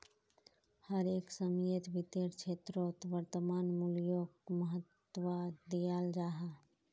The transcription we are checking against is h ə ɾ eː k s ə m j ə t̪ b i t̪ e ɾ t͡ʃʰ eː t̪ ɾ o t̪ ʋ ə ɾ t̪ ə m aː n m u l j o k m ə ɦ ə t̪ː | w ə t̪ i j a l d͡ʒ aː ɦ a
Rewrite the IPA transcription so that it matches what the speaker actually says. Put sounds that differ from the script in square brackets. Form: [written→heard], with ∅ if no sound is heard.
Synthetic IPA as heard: h ə ɾ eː k s ə m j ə t̪ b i t̪ e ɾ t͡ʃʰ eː t̪ ɾ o t̪ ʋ ə ɾ t̪ ə m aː n m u l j o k m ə ɦ ə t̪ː | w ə [t̪→d̪] i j a l d͡ʒ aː ɦ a